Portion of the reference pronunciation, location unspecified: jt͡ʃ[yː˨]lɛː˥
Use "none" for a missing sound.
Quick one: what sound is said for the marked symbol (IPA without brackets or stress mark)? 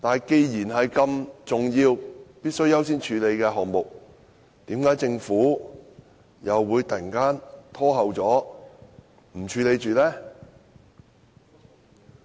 yː˨